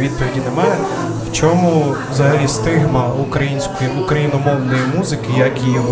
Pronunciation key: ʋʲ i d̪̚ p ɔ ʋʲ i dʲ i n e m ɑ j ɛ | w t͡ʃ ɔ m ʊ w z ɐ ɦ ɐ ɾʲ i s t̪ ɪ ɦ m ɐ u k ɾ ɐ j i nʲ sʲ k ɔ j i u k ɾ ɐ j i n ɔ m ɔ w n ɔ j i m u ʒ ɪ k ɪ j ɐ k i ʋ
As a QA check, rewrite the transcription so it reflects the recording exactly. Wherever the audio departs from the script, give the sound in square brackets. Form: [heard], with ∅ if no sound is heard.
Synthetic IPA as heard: ʋʲ i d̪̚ p ɔ ʋʲ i dʲ i n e m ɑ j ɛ | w t͡ʃ ɔ m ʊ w z ɐ ɦ ɐ [lʲ] i s t̪ ɪ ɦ m ɐ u k ɾ ɐ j i nʲ sʲ k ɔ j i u k ɾ ɐ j i n ɔ m ɔ w n ɔ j i m u [z] ɪ k ɪ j ɐ k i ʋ